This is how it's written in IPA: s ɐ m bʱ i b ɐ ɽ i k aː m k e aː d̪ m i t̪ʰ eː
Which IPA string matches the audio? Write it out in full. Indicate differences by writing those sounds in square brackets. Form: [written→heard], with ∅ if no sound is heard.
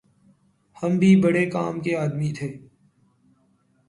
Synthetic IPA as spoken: [s→h] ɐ m bʱ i b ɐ ɽ [i→e] k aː m k e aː d̪ m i t̪ʰ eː